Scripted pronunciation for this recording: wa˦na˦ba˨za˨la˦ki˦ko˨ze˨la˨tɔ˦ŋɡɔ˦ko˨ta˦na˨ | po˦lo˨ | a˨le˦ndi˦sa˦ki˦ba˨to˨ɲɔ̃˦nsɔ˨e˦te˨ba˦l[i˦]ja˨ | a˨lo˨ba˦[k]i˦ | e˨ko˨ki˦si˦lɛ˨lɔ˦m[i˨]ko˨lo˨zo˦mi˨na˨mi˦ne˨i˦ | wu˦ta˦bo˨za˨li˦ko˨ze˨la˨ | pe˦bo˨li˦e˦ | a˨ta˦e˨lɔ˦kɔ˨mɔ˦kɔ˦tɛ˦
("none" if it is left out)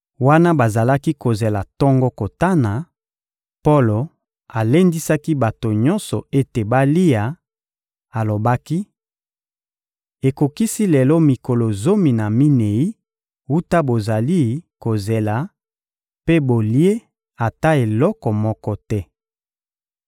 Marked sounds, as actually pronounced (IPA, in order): i˦, k, i˨

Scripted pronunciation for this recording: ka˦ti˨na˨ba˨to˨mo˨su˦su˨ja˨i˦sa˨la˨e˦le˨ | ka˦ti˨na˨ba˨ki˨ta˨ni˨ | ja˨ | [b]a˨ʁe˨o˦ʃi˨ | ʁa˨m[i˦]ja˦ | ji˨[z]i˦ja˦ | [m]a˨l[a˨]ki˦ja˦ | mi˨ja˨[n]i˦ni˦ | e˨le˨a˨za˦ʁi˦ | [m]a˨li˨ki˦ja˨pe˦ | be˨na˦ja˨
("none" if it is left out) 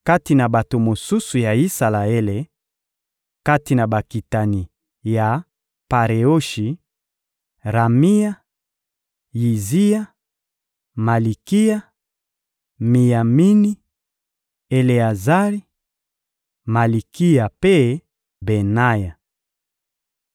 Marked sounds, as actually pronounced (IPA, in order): p, i˦, z, m, i˨, m, m

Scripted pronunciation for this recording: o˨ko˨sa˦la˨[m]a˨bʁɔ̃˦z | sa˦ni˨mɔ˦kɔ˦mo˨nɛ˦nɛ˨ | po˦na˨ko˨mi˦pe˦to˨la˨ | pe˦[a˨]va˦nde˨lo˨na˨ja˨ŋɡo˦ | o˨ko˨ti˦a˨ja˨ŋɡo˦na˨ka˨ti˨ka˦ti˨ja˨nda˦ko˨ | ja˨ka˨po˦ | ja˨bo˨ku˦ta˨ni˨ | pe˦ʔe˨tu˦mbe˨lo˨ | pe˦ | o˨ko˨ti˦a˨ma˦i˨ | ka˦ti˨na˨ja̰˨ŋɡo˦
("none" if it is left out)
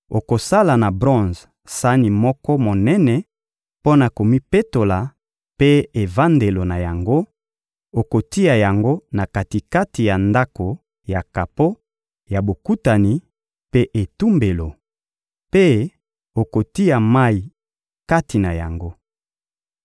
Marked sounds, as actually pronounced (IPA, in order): n, e˨

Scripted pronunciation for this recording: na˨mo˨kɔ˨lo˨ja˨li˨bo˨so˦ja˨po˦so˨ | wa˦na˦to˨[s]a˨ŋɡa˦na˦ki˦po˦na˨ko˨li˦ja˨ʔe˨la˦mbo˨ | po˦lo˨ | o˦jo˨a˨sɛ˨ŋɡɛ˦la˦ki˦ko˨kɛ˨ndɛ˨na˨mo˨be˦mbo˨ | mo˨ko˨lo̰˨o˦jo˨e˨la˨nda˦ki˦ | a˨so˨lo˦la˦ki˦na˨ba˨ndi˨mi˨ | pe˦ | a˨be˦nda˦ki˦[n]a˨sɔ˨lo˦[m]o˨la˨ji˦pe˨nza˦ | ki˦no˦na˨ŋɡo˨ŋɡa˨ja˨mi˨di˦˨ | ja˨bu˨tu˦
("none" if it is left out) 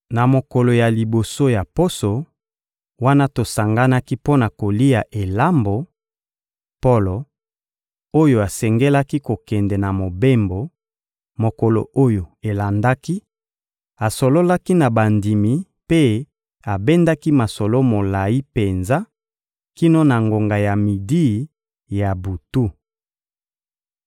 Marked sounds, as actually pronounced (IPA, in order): s, m, m

